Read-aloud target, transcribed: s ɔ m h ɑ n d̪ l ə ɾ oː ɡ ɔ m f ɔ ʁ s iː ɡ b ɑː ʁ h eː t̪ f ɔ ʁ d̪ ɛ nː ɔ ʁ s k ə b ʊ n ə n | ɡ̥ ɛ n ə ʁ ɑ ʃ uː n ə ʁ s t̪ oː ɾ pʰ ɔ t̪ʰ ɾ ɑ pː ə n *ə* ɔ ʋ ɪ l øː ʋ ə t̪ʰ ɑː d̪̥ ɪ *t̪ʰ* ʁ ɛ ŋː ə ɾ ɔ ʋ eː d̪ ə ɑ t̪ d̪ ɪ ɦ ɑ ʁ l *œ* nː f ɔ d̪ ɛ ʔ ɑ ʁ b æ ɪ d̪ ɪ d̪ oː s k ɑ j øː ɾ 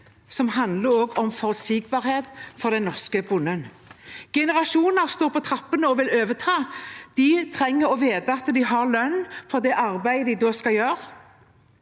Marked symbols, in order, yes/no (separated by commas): yes, yes, yes